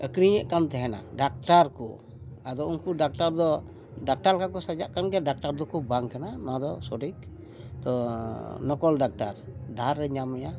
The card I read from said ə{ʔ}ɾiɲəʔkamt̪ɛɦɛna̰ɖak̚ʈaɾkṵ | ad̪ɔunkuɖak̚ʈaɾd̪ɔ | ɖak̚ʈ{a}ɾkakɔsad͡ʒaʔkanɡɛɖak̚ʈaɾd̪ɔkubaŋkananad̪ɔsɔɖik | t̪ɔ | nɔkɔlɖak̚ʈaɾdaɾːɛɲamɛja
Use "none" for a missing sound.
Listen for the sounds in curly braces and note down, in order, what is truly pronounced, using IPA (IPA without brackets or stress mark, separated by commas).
k, a